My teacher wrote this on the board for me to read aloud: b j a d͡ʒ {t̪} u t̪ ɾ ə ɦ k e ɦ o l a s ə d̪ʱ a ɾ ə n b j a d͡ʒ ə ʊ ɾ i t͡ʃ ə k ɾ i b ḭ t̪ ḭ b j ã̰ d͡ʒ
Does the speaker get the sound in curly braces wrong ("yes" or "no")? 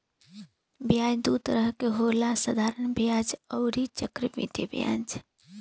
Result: yes